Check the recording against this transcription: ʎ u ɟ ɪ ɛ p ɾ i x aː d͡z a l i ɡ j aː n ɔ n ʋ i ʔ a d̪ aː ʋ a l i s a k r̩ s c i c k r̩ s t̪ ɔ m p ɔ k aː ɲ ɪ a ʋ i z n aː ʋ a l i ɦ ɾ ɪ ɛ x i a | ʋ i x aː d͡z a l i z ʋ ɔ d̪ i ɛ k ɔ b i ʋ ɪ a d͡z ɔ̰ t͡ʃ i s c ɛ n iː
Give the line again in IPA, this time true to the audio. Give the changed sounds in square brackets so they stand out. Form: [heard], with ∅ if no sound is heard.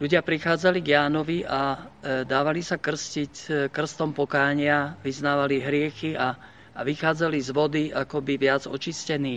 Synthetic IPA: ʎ u ɟ ɪ [a] p ɾ i x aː d͡z a l i ɡ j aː n ɔ [∅] ʋ i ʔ a d̪ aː ʋ a l i s a k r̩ s c i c k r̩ s t̪ ɔ m p ɔ k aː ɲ ɪ a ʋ i z n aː ʋ a l i ɦ ɾ ɪ ɛ x i a | ʋ i x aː d͡z a l i z ʋ ɔ d̪ i [a] k ɔ b i ʋ ɪ a d͡z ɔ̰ t͡ʃ i s c ɛ n iː